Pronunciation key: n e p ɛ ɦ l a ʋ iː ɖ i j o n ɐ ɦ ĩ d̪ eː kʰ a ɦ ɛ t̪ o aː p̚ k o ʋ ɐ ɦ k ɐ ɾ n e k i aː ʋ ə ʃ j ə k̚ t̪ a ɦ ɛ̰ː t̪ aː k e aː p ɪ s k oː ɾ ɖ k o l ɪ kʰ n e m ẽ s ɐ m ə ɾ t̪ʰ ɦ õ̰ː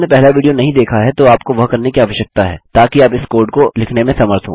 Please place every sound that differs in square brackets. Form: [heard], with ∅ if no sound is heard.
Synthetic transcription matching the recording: n e p ɛ ɦ l a ʋ iː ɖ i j o n ɐ ɦ ĩ d̪ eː kʰ a ɦ ɛ t̪ o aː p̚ k o ʋ ɐ ɦ k ɐ ɾ n e k i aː ʋ ə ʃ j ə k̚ t̪ a ɦ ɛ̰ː t̪ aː k [i] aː p ɪ s k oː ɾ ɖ k o l ɪ kʰ n e m ẽ s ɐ m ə ɾ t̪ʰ ɦ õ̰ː